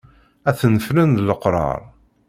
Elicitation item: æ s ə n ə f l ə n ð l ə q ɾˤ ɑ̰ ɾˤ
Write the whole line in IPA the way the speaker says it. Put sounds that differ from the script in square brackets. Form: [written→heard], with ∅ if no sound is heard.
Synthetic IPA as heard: æ [s→θ] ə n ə f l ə n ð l ə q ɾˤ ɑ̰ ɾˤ